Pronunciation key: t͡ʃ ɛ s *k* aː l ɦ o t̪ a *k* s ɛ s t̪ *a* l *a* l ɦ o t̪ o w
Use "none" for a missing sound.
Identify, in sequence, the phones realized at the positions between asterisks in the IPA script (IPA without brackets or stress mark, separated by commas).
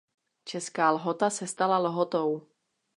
k, none, a, a